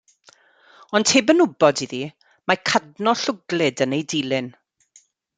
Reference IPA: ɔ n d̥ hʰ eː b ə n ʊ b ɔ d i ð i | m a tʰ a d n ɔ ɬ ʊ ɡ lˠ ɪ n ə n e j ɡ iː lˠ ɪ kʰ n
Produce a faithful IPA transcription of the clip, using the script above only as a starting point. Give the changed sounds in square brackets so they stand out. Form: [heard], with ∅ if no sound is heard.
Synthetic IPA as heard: ɔ n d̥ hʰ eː b ə n ʊ b ɔ d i ð i | m a [kʰ] a d n ɔ ɬ ʊ ɡ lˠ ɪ [d] ə n e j [d] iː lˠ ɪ [∅] n